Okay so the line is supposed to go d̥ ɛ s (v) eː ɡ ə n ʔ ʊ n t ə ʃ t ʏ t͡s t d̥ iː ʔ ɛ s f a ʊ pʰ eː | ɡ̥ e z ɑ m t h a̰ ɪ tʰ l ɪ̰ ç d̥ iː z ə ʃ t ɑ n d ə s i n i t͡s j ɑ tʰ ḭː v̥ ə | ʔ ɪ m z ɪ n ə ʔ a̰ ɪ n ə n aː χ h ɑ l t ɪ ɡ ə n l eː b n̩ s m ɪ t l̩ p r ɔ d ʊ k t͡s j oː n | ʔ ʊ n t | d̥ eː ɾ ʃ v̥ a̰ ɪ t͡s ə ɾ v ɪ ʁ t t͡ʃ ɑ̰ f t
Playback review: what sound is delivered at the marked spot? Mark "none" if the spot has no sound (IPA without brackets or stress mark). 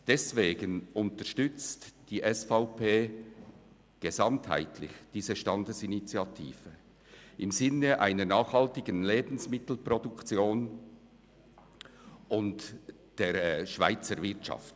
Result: v